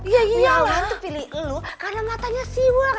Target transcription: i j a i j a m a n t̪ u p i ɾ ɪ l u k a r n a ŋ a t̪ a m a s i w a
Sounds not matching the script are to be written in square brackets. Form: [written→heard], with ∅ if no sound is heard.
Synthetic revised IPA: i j a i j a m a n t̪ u p i [ɾ→l] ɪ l u k a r n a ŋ a t̪ a [m→ɲ] a s i w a